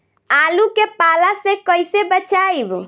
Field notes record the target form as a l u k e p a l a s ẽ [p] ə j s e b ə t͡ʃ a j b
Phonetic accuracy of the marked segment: incorrect: k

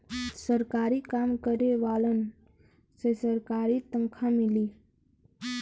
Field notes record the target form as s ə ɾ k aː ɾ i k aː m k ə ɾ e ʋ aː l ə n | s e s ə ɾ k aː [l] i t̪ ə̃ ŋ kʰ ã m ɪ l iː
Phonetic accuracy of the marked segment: incorrect: ɾ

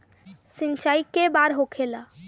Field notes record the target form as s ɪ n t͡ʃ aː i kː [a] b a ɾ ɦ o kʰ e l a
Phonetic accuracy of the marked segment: incorrect: e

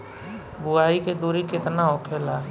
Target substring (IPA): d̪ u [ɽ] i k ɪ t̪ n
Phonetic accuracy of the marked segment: incorrect: ɾ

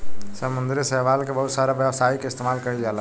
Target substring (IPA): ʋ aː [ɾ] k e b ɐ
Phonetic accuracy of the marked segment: incorrect: l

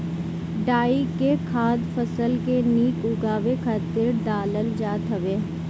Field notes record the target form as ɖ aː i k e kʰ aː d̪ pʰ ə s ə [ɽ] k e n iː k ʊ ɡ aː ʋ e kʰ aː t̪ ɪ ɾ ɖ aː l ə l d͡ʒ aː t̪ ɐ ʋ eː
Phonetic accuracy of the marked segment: incorrect: l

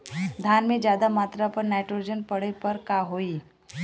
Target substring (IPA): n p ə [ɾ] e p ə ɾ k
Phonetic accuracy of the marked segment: incorrect: ɽ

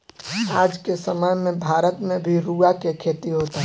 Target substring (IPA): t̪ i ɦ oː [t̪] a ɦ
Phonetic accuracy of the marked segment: correct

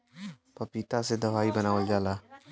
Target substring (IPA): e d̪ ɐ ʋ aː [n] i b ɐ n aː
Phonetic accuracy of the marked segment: incorrect: none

